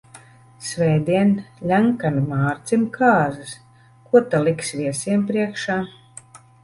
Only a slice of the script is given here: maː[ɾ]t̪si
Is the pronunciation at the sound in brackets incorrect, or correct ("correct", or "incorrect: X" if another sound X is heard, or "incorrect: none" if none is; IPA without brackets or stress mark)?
correct